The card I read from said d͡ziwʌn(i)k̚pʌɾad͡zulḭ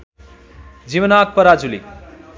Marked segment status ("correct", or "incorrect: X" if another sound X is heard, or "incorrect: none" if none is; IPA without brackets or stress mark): incorrect: a